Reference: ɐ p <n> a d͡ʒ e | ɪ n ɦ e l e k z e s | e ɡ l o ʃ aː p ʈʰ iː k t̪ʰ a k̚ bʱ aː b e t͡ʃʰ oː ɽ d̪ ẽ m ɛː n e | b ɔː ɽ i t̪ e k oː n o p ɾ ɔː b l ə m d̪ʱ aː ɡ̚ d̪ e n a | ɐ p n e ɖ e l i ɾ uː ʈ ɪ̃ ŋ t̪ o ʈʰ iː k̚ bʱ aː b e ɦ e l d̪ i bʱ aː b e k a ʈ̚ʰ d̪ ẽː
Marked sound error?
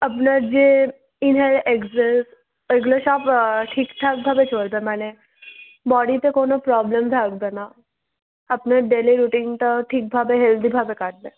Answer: no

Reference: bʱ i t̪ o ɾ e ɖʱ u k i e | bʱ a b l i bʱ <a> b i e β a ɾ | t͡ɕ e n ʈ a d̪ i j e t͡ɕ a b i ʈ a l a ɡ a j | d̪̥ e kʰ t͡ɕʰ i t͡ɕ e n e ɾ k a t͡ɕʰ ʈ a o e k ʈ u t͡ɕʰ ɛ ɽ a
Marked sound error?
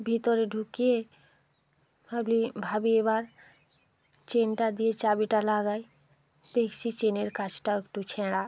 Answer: no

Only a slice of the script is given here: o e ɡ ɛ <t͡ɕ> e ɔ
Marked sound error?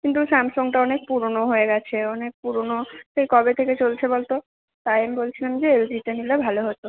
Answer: yes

